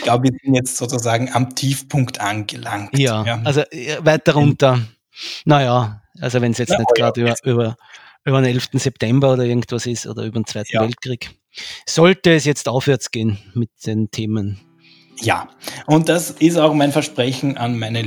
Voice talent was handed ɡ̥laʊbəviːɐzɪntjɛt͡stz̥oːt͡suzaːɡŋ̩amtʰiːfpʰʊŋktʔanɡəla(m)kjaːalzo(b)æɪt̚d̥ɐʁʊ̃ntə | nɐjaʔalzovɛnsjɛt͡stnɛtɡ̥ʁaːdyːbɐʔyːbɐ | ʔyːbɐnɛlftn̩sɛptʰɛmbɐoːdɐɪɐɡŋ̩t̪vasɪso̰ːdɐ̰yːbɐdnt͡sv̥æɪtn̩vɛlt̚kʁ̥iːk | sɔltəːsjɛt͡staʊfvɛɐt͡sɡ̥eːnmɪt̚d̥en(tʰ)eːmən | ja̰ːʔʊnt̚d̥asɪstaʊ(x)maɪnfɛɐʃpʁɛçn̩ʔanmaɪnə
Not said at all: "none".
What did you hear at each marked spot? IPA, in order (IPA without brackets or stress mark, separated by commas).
ŋ, v, tʰ, x